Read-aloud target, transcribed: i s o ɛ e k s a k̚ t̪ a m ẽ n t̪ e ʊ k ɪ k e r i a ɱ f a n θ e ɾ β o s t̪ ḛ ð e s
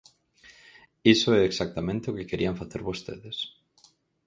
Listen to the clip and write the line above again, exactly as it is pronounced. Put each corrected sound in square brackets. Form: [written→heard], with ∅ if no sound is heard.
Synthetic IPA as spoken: i s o ɛ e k s a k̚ t̪ a m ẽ n t̪ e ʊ k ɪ k e [r→ɾ] i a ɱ f a [n→∅] θ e ɾ β o s t̪ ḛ ð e s